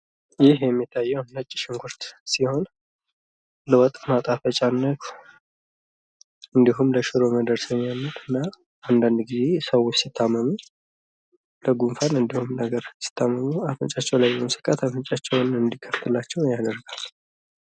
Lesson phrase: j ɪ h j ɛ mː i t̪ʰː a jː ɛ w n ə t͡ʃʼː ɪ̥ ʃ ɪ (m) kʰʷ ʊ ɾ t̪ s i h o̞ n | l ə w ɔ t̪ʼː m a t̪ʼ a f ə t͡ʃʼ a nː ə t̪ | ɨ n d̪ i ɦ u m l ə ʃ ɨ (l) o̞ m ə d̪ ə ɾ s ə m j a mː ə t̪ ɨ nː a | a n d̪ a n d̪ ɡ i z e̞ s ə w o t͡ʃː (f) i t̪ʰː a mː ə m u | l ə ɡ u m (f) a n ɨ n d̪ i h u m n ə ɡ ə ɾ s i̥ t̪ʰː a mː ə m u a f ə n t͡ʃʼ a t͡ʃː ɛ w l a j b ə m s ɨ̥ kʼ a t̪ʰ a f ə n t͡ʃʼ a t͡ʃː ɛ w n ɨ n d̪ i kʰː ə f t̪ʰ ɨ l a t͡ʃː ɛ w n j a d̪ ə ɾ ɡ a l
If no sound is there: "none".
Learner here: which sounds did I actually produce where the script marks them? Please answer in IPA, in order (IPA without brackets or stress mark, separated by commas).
ŋ, ɾ, s, f